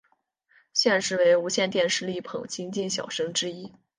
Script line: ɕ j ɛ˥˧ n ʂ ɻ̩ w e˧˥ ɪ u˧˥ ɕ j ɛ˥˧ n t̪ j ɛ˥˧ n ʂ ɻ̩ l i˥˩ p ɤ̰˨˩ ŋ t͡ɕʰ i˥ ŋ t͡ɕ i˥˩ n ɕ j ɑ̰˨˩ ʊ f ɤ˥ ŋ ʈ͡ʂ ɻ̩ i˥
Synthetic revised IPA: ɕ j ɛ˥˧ n ʂ ɻ̩ w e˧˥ ɪ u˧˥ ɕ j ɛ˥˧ n t̪ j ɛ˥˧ n ʂ ɻ̩ l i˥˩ pʰ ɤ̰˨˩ ŋ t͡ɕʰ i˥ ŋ t͡ɕ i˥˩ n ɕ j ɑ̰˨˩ ʊ ʂ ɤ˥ ŋ ʈ͡ʂ ɻ̩ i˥